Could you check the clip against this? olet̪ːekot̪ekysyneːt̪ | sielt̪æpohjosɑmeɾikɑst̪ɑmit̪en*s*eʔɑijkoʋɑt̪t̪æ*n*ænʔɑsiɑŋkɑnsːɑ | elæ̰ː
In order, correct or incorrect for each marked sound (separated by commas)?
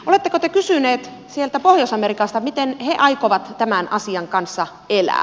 incorrect, incorrect